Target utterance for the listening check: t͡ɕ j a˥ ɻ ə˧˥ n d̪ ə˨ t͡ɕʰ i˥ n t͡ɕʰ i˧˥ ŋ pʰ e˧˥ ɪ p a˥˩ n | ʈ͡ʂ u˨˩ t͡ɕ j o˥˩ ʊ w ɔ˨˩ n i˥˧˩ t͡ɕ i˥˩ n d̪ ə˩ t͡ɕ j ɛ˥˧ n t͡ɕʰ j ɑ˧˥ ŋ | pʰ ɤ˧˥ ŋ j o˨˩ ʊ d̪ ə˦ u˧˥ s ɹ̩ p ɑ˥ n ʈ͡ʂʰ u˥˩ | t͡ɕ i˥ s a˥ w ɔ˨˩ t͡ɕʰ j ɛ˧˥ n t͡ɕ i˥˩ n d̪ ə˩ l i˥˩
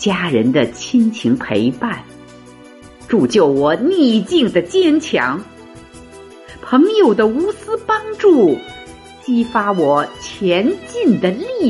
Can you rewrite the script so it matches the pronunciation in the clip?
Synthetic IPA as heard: t͡ɕ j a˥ ɻ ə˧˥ n d̪ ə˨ t͡ɕʰ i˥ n t͡ɕʰ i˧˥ ŋ pʰ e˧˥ ɪ p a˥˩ n | ʈ͡ʂ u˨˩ t͡ɕ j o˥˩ ʊ w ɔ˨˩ n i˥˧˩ t͡ɕ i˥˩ ŋ d̪ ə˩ t͡ɕ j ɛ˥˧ n t͡ɕʰ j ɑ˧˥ ŋ | pʰ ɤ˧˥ ŋ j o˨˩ ʊ d̪ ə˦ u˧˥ s ɹ̩ p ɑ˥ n ʈ͡ʂ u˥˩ | t͡ɕ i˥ f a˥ w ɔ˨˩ t͡ɕʰ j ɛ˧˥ n t͡ɕ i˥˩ n d̪ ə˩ l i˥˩